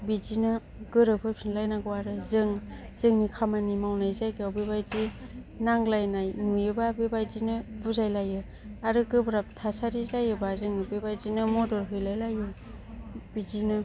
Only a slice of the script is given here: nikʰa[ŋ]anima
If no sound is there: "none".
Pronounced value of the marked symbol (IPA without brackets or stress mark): m